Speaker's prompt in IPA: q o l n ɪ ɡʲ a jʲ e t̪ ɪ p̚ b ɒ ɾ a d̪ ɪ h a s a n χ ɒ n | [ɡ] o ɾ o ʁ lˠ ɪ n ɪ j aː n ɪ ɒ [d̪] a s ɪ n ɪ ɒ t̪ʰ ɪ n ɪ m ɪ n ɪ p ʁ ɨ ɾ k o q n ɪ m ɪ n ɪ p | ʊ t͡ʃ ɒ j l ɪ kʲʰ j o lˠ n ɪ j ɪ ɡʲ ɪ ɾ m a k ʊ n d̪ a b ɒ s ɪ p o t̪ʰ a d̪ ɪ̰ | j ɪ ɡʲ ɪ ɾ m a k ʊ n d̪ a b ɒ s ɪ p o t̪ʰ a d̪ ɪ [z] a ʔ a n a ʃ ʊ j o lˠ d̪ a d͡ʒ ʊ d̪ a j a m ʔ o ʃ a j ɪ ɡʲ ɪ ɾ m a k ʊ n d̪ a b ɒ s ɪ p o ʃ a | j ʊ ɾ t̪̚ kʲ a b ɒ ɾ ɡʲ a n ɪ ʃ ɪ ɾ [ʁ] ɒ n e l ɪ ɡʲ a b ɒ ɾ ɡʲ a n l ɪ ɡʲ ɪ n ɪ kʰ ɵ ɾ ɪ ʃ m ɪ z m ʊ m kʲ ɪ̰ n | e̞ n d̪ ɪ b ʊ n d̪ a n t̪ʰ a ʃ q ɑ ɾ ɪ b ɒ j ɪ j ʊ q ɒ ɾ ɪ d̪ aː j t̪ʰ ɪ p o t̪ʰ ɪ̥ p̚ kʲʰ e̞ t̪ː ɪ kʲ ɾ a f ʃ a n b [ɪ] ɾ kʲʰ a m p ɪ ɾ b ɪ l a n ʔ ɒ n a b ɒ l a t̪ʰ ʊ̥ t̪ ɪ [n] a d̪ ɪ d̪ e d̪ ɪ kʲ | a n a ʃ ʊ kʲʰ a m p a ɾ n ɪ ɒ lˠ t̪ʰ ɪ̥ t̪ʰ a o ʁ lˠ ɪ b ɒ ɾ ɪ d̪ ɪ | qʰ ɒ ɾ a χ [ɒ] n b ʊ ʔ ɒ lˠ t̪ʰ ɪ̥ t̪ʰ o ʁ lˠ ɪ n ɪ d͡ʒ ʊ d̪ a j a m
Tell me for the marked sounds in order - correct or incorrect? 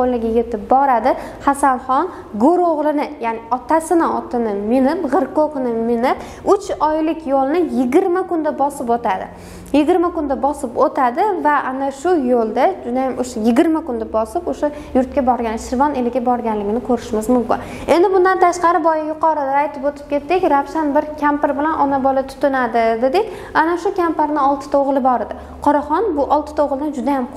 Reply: correct, incorrect, incorrect, incorrect, correct, correct, correct

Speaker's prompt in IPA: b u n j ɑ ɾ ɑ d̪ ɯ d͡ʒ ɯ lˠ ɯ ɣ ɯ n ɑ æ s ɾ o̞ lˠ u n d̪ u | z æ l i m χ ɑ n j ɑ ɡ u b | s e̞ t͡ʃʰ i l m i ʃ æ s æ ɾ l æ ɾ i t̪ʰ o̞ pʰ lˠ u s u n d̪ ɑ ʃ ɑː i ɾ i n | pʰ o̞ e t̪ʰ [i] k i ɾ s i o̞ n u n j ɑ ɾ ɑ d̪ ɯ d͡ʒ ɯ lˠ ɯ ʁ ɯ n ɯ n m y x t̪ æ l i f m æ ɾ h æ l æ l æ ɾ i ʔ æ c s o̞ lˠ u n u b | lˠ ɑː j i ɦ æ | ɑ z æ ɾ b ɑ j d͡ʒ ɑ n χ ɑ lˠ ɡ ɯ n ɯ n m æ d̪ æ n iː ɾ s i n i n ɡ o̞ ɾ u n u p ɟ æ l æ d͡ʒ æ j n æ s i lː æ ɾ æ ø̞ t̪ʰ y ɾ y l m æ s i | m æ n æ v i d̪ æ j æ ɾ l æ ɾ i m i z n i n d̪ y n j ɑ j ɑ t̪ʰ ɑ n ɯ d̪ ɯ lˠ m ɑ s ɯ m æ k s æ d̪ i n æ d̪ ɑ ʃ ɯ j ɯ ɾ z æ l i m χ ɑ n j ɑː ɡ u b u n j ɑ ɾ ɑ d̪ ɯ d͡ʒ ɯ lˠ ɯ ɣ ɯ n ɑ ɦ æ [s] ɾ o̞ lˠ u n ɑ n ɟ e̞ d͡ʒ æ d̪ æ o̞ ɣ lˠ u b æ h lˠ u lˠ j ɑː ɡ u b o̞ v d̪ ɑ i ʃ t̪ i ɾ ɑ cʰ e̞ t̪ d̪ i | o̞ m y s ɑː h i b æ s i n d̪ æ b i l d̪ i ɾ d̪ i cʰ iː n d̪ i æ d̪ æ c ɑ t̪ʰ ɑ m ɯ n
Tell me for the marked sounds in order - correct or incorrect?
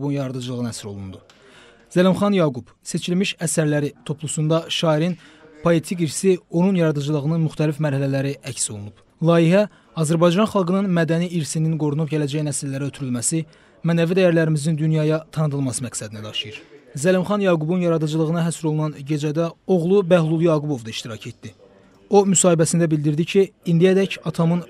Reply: correct, correct

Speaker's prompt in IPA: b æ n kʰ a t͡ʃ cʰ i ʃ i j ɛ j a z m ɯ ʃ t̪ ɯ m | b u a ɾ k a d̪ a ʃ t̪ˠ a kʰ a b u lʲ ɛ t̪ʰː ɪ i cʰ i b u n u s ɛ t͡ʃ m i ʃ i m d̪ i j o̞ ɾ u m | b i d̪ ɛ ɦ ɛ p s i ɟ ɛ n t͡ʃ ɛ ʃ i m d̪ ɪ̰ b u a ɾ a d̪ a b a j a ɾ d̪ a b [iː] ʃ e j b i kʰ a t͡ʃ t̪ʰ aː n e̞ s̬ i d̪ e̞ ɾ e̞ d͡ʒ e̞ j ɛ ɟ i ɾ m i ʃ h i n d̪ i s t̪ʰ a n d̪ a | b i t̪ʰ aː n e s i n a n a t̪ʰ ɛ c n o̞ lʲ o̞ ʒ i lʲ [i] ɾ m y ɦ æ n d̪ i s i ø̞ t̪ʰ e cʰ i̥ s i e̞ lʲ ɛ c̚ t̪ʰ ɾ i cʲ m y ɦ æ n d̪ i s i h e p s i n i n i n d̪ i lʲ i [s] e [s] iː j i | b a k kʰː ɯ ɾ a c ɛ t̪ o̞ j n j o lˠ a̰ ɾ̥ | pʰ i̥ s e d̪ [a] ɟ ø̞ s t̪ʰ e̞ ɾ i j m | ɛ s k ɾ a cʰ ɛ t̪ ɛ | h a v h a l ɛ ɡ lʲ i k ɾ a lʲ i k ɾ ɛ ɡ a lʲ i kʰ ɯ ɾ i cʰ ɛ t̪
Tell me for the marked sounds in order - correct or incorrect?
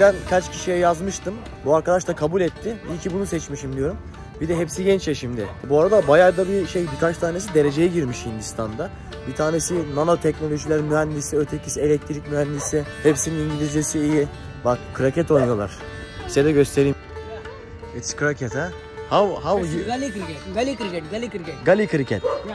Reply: incorrect, incorrect, incorrect, correct, incorrect

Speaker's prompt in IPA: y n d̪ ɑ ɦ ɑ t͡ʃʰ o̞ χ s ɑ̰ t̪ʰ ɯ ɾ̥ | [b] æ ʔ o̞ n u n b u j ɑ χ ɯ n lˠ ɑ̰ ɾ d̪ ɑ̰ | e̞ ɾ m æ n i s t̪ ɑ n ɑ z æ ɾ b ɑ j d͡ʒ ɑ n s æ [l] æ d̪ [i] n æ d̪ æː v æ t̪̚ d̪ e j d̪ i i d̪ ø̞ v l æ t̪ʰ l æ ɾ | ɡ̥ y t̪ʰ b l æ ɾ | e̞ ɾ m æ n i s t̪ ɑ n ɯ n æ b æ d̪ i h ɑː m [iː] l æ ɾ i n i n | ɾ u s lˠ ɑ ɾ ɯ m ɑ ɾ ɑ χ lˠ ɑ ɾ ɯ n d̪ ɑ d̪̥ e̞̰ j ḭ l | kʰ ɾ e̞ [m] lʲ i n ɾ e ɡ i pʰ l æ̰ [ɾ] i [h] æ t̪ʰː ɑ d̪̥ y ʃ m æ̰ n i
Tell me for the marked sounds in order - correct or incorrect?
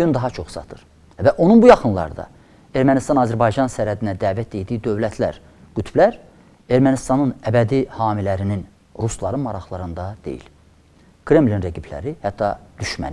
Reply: incorrect, incorrect, correct, incorrect, correct, correct, correct

